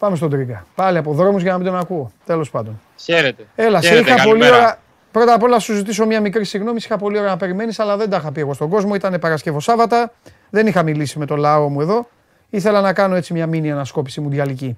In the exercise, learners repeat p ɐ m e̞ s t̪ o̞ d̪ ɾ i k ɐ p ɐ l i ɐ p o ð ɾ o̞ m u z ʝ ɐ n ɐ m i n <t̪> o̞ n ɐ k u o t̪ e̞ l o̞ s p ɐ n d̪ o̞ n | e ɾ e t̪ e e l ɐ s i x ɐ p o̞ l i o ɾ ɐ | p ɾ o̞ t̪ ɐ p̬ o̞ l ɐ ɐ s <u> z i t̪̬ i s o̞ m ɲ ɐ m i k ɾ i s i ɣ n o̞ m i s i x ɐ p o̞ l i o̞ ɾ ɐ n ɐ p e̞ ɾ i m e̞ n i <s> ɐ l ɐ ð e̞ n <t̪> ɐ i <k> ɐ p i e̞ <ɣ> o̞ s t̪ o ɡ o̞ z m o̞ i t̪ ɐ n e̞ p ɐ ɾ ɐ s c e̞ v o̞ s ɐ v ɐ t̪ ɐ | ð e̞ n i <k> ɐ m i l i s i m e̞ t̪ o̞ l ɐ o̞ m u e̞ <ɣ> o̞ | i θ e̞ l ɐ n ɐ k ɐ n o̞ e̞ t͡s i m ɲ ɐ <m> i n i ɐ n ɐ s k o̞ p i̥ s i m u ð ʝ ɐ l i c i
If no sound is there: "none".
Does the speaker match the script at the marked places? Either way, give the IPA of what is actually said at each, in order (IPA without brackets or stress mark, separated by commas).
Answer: d̪, u, s, d̪, x, ɣ, x, ð, m